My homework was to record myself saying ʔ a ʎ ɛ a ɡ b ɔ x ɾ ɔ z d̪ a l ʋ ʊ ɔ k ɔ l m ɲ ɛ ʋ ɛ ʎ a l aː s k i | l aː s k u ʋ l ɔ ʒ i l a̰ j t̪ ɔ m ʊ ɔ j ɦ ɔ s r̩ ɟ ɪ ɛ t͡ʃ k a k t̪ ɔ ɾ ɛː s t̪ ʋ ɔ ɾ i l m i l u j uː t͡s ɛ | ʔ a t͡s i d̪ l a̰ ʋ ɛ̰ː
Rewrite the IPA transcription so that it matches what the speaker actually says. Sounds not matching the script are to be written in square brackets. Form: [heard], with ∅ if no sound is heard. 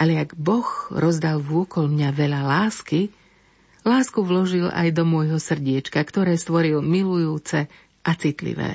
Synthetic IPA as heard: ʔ a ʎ ɛ a ɡ b ɔ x ɾ ɔ z d̪ a l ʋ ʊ ɔ k ɔ l m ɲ [a] ʋ ɛ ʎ a l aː s k i | l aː s k u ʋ l ɔ ʒ i l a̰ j [d̪] ɔ m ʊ ɔ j ɦ ɔ s r̩ ɟ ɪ ɛ t͡ʃ k a k t̪ ɔ ɾ ɛː s t̪ ʋ ɔ ɾ i l m i l u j uː t͡s ɛ | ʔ a t͡s i [t̪] l [ḭ] ʋ ɛ̰ː